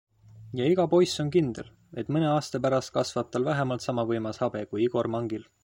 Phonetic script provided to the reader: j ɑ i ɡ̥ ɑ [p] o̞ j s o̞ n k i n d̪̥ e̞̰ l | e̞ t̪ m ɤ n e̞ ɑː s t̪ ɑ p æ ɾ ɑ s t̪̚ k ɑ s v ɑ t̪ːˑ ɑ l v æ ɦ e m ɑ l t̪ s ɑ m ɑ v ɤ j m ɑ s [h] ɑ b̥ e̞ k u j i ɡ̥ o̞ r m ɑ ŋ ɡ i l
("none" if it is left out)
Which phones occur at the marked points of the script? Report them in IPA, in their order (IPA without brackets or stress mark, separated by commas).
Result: p, h